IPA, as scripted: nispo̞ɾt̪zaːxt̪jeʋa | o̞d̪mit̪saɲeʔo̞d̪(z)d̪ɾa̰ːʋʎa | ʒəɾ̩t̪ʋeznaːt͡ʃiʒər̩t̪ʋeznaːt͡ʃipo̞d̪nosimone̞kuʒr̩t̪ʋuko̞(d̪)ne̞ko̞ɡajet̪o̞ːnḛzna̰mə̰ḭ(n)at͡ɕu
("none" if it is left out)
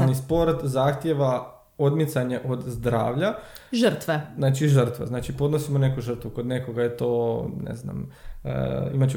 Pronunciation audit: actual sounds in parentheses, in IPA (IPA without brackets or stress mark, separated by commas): z, d̪, m